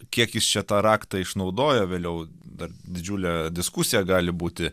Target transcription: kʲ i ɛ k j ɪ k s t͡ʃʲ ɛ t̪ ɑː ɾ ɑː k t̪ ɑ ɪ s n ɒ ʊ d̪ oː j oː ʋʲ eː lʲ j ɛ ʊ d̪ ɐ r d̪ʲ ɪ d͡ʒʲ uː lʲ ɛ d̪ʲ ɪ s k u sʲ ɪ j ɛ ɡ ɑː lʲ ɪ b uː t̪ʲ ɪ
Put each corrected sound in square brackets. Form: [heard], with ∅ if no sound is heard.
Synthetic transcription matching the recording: kʲ i ɛ k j ɪ [∅] s t͡ʃʲ ɛ t̪ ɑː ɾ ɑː k t̪ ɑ ɪ [ʃ] n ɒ ʊ d̪ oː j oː ʋʲ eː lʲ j ɛ ʊ d̪ ɐ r d̪ʲ ɪ d͡ʒʲ uː lʲ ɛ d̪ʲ ɪ s k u sʲ ɪ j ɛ ɡ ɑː lʲ ɪ b uː t̪ʲ ɪ